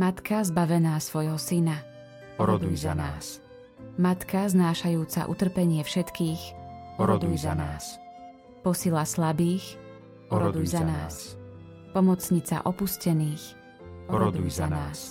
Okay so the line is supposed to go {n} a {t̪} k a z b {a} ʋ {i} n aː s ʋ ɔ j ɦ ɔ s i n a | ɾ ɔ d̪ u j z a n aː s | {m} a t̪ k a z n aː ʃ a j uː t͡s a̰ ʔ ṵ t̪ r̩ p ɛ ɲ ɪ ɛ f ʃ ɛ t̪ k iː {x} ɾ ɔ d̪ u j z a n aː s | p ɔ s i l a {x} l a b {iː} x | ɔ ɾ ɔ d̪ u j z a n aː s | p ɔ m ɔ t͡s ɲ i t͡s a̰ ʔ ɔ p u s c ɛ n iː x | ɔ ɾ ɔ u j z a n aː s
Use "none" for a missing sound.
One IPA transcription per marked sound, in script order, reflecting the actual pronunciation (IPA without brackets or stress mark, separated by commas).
m, t̪, a, ɛ, m, x, s, iː